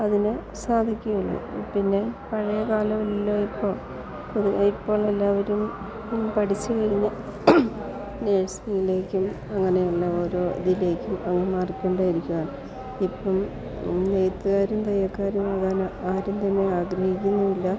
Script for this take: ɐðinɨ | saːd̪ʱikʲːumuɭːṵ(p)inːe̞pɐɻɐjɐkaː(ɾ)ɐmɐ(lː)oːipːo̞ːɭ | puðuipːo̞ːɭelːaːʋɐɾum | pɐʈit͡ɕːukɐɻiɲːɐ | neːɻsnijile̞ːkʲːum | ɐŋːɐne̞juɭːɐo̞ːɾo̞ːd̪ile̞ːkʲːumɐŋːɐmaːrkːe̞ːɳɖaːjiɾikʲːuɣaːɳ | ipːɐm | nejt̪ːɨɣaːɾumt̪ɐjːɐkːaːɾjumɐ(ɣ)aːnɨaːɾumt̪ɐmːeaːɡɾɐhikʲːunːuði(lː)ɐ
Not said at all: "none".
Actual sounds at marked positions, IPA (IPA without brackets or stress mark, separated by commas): p, l, lː, ð, lː